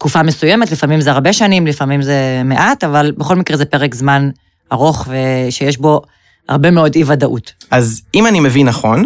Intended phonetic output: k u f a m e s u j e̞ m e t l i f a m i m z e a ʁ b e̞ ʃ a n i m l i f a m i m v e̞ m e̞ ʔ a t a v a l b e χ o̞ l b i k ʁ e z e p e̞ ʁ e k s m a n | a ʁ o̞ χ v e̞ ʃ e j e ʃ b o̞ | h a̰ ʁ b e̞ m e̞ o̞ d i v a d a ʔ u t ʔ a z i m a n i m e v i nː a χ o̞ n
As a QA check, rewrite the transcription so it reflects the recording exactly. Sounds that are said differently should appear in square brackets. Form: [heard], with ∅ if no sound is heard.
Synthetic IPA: k u f a m e s u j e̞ m e t l i f a m i m z e a ʁ b e̞ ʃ a n i m l i f a m i m [z] e̞ m e̞ ʔ a t a v a l b e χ o̞ l [m] i k ʁ e z e p e̞ ʁ e k [z] m a n | a ʁ o̞ χ v e̞ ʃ e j e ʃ b o̞ | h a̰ ʁ b e̞ m e̞ o̞ d i v a d a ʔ u t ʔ a z i m a n i m e v i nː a χ o̞ n